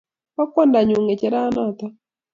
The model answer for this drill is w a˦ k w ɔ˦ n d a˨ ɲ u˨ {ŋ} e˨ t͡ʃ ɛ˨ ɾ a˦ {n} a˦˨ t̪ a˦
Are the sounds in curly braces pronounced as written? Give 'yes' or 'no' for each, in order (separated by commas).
yes, yes